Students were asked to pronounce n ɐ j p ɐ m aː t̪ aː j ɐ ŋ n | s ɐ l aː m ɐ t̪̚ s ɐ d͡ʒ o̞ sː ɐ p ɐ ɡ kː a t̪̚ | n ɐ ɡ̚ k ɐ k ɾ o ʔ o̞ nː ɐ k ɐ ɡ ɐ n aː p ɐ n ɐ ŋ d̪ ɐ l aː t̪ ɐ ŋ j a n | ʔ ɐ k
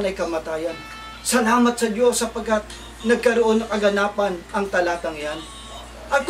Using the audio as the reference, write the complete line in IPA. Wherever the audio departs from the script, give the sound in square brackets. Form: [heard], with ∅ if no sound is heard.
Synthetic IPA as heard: n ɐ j [k] ɐ m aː t̪ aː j ɐ [∅] n | s ɐ l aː m ɐ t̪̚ s ɐ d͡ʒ o̞ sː ɐ p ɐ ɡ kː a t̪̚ | n ɐ ɡ̚ k ɐ [∅] ɾ o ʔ o̞ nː ɐ k ɐ ɡ ɐ n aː p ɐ n ɐ ŋ [t̪] ɐ l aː t̪ ɐ ŋ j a n | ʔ ɐ k